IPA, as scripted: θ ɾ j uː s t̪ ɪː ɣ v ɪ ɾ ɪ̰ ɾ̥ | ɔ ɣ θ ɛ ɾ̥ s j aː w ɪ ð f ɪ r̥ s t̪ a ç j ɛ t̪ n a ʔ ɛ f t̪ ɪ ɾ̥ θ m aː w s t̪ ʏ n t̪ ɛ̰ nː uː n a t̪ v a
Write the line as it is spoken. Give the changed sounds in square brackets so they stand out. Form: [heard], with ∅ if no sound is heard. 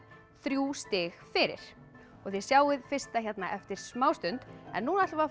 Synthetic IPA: θ ɾ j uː s t̪ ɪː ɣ [f] ɪ ɾ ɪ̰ ɾ̥ | ɔ ɣ θ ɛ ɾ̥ s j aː w ɪ ð f ɪ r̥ s t̪ a ç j ɛ t̪ n a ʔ ɛ f t̪ ɪ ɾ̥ [s] m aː w s t̪ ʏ n t̪ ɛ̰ nː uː n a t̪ v a